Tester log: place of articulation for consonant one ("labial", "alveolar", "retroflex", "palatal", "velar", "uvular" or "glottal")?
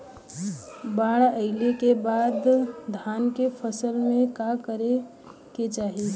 labial